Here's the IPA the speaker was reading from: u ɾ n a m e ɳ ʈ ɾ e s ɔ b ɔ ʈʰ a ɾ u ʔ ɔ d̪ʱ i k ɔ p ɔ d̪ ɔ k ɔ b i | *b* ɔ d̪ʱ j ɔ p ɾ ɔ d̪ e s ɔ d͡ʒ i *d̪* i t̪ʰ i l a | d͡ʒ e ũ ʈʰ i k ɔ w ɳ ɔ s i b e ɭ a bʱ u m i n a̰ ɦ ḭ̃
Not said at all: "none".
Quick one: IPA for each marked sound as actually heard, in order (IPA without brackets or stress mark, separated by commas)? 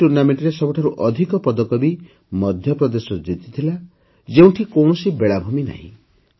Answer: m, t̪